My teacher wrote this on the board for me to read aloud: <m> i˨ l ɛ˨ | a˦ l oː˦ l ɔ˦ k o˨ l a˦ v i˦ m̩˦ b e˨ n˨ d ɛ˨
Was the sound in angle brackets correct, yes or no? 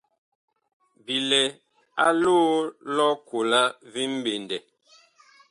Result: no